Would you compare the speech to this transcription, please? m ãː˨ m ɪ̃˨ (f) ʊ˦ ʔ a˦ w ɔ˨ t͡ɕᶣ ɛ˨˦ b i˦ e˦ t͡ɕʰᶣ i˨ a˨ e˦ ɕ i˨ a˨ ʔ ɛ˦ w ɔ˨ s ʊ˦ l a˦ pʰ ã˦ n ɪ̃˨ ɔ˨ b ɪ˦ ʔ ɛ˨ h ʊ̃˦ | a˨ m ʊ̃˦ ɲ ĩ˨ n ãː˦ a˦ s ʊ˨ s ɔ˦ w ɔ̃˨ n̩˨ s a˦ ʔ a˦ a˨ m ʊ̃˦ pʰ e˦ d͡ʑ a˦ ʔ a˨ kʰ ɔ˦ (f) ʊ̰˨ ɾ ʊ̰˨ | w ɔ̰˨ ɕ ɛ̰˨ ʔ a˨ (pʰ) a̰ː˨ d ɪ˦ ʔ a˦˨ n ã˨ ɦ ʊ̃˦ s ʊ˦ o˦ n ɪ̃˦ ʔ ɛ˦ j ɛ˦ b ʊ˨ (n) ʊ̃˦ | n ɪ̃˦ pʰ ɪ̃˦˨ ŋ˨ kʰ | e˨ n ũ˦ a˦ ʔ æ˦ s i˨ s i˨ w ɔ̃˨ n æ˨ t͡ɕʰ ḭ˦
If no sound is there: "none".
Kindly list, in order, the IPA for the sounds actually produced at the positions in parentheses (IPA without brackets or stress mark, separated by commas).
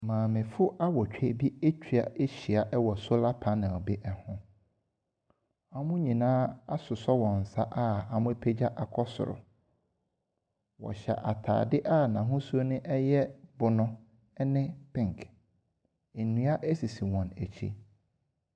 f, s, tʰ, n